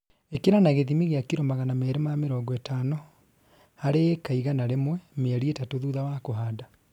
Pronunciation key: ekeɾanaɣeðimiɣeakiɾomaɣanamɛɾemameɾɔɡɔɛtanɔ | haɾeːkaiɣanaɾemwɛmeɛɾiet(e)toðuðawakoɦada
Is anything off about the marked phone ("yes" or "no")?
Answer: yes